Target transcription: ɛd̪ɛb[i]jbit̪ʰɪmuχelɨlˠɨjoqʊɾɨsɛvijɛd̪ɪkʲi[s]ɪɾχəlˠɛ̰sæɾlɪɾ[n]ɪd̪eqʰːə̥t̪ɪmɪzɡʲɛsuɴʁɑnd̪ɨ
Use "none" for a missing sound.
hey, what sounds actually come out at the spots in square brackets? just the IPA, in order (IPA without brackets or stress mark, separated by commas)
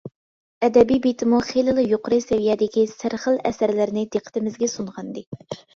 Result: i, s, n